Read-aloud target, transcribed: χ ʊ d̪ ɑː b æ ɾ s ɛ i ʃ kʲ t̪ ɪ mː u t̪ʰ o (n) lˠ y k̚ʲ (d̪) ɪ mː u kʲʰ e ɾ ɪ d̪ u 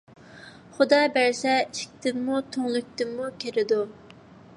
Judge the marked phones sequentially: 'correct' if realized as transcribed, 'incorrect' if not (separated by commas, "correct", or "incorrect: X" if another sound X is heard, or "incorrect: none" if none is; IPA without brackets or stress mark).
incorrect: ŋ, incorrect: t̪